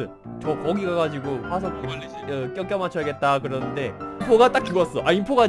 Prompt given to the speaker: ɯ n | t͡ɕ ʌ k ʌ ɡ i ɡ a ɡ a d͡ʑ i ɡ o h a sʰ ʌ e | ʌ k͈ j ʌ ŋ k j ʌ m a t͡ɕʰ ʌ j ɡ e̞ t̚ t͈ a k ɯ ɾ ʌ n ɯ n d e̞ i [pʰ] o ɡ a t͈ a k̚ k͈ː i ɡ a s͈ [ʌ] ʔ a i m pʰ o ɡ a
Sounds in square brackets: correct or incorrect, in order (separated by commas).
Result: correct, correct